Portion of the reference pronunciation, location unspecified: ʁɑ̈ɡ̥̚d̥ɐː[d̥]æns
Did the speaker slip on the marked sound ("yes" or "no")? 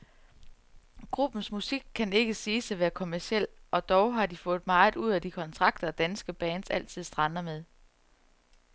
no